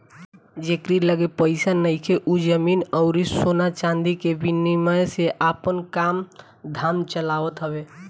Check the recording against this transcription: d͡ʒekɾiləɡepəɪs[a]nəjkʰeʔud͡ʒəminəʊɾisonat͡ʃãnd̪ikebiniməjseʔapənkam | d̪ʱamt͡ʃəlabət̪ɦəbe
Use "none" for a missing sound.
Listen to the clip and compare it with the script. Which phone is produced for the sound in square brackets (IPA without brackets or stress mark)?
a